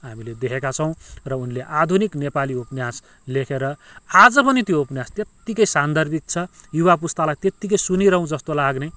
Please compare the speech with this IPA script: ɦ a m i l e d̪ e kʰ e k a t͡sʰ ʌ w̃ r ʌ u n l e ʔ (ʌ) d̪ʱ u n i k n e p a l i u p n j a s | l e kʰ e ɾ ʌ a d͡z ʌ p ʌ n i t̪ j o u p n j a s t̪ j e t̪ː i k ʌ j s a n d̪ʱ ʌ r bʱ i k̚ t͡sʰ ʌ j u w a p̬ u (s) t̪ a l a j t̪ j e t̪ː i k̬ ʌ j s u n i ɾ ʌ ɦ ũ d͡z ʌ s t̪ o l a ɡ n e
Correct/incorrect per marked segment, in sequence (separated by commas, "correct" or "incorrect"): incorrect, correct